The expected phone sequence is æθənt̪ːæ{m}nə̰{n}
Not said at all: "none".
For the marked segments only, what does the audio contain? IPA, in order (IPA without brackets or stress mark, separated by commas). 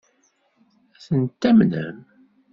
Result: m, m